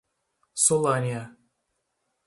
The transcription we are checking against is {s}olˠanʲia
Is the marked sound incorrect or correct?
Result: correct